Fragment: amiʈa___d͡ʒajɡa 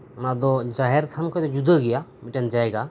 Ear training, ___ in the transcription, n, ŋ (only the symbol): n